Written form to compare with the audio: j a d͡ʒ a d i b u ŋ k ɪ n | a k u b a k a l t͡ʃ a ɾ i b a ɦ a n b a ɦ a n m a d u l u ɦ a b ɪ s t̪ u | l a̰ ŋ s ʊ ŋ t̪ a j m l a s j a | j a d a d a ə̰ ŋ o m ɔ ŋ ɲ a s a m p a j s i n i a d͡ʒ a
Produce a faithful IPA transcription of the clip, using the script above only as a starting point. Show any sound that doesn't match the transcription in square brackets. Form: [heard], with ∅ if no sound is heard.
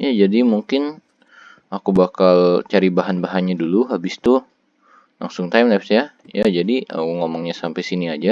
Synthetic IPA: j a d͡ʒ a d i [m] u ŋ k ɪ n | a k u b a k a l t͡ʃ a ɾ i b a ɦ a n b a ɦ a n [ɲ] a d u l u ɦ a b ɪ s t̪ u | l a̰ ŋ s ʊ ŋ t̪ a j m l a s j a | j a [d͡ʒ] a d [i] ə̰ ŋ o m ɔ ŋ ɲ a s a m p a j s i n i a d͡ʒ a